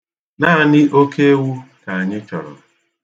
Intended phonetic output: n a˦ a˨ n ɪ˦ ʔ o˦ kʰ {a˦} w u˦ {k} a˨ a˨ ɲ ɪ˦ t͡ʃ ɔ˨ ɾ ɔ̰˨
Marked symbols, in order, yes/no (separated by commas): no, yes